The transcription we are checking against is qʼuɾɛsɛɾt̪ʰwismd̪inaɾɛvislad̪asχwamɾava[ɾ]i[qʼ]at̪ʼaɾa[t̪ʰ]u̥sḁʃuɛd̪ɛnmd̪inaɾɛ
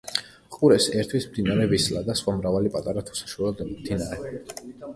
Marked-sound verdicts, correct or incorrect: incorrect: l, incorrect: pʼ, correct

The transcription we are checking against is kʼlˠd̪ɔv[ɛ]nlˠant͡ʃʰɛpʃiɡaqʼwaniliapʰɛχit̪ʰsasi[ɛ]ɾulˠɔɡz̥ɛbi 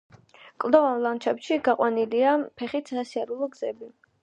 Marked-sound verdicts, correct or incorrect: incorrect: a, incorrect: a

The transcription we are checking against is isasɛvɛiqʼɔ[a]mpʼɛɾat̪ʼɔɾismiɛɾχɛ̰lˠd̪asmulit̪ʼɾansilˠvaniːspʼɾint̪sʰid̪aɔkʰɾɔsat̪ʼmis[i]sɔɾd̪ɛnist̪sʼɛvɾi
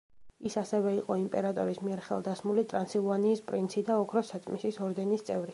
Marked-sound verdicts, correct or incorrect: incorrect: i, correct

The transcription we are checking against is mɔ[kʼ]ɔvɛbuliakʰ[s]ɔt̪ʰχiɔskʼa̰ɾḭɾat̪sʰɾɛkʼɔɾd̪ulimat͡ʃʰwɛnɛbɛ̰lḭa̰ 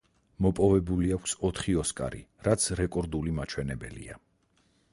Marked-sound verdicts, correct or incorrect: incorrect: pʼ, correct

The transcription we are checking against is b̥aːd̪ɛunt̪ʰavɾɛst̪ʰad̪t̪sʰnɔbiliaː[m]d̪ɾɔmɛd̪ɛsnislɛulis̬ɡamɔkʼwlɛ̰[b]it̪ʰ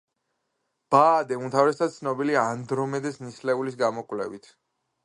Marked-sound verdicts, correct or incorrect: incorrect: n, incorrect: v

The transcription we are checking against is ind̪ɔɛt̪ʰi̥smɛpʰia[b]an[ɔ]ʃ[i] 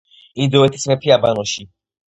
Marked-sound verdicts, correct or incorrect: correct, correct, correct

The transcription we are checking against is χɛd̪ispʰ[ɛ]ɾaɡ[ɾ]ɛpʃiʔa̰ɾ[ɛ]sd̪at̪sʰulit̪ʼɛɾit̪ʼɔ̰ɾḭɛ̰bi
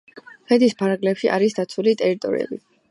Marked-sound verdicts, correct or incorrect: incorrect: a, incorrect: l, incorrect: i

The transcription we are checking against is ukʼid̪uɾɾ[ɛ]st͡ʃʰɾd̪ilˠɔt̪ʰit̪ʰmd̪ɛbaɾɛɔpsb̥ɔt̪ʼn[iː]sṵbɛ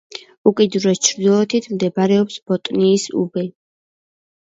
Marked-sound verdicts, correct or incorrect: correct, correct

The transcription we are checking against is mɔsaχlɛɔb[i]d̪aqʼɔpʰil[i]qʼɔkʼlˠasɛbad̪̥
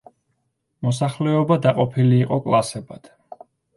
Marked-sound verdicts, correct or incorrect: incorrect: a, incorrect: iː

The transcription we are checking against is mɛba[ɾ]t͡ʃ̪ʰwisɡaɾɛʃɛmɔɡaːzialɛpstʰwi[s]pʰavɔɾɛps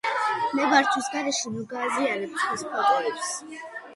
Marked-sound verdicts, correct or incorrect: correct, correct

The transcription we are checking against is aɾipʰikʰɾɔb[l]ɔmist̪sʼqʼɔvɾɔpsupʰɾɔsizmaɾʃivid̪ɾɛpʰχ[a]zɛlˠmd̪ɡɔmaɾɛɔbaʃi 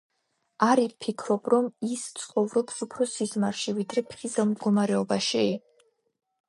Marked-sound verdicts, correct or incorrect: incorrect: ɾ, incorrect: i

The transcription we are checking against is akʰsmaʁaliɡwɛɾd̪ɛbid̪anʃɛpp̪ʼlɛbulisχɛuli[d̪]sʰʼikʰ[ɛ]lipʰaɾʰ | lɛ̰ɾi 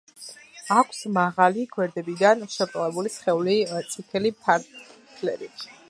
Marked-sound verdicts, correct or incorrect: incorrect: t̪, correct

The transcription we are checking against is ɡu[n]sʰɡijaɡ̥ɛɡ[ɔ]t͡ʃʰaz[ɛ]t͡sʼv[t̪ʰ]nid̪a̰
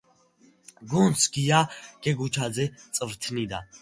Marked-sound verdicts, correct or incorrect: correct, incorrect: u, correct, correct

